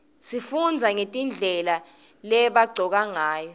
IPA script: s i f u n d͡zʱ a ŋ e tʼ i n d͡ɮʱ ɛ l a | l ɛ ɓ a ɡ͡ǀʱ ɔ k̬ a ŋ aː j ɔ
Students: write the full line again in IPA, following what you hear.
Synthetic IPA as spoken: s i f u n d͡zʱ a ŋ e tʼ i n d͡ɮʱ ɛ l a | l ɛ ɓ a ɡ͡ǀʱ ɔ k̬ a ŋ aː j ɔ